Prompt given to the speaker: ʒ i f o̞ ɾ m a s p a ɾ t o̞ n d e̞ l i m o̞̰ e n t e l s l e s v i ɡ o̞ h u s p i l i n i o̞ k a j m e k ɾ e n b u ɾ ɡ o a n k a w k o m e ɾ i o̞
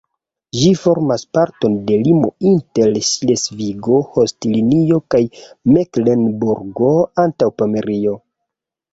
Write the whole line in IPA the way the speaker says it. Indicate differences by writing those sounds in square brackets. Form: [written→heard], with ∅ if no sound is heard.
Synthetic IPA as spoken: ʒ i f o̞ ɾ m a s p a ɾ t o̞ n d e̞ l i m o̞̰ [e→i] n t e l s l e s v i ɡ o̞ h [u→o] s [p→t] i l i n i o̞ k a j m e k [ɾ→l] e n b u ɾ ɡ o a n [k→t] a w [k→p] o m e ɾ i o̞